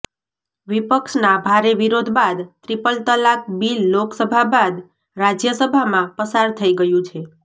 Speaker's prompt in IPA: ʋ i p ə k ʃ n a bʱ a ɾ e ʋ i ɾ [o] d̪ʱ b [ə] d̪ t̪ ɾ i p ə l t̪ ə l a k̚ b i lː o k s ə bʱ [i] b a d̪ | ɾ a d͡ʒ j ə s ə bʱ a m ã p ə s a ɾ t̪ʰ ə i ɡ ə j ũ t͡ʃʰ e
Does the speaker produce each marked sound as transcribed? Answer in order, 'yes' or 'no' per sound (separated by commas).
yes, no, no